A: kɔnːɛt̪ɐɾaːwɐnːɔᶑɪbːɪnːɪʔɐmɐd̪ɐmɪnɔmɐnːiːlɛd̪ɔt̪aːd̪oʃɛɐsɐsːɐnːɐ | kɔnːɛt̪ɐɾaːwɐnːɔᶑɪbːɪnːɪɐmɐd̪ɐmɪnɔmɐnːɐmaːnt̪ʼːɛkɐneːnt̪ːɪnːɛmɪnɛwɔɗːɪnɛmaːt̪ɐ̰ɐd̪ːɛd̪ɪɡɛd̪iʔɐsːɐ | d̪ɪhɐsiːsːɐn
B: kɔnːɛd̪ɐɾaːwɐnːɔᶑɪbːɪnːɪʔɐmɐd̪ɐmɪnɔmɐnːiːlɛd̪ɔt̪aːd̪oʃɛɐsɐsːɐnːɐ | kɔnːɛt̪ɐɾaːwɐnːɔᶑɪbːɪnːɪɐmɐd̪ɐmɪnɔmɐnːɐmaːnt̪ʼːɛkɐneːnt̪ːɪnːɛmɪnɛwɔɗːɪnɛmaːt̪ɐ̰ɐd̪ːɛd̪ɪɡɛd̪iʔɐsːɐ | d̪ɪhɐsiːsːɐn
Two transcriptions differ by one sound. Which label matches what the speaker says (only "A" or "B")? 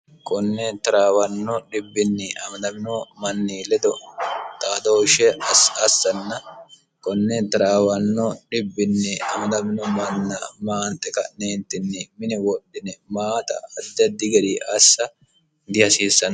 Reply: A